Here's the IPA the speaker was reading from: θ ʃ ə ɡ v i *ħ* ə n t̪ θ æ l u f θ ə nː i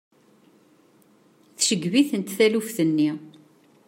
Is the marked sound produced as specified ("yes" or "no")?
no